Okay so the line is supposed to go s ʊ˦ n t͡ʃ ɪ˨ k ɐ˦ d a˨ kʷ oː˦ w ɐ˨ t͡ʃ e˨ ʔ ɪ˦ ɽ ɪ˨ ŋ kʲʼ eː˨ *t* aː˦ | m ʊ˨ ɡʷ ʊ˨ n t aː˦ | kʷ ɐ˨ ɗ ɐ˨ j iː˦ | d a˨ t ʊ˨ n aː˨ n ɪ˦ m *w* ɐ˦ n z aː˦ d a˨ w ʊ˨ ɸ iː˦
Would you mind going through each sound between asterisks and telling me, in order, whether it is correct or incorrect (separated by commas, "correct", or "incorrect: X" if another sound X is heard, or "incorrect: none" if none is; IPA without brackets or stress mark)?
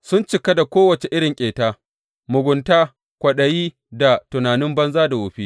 correct, incorrect: b